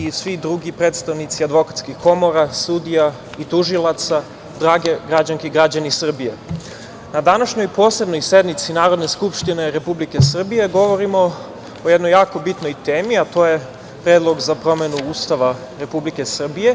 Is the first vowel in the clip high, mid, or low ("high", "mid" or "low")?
high